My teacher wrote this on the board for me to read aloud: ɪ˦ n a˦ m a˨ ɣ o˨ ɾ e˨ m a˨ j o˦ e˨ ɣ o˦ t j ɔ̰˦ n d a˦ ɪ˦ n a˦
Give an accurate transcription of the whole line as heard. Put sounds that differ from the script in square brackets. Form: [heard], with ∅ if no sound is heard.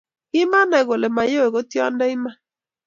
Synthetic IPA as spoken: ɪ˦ [m] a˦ [n] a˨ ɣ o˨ [l] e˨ m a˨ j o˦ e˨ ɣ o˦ t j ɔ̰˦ n d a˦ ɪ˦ [m] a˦